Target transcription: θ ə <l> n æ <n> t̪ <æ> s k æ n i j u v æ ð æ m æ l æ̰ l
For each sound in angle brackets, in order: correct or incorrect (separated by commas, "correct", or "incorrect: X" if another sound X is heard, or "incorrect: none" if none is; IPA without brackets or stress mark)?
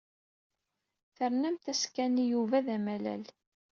incorrect: ɾ, incorrect: m, correct